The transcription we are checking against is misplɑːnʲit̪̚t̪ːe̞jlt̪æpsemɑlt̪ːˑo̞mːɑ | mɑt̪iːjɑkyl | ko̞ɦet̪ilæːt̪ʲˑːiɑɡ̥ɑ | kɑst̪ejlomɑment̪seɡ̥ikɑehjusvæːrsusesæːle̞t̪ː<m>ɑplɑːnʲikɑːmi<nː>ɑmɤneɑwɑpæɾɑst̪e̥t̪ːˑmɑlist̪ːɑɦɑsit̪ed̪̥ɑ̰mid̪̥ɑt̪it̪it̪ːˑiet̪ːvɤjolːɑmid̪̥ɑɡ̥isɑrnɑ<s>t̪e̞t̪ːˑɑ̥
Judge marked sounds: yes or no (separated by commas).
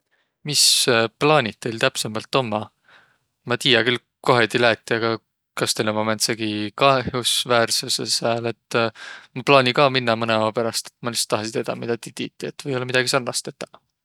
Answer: yes, yes, yes